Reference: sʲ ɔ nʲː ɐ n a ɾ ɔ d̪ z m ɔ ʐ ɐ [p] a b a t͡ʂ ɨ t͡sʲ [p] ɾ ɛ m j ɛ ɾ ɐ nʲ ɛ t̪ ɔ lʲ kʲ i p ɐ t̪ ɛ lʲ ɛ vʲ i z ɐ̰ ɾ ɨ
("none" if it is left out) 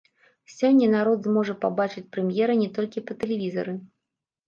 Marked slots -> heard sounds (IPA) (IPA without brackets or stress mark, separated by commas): p, p